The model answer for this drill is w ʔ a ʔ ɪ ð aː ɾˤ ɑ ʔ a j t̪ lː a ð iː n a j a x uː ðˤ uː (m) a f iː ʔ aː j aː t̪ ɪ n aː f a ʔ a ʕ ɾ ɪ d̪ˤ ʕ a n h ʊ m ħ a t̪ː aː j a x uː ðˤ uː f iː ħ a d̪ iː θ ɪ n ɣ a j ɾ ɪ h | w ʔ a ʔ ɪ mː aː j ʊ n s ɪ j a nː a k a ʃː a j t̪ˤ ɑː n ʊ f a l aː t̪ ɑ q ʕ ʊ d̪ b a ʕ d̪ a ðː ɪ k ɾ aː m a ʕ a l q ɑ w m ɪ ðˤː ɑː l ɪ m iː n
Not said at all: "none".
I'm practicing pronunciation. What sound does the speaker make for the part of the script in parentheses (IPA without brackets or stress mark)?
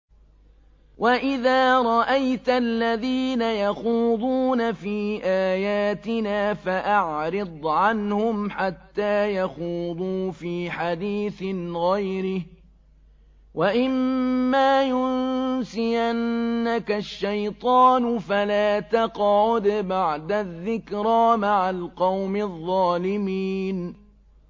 n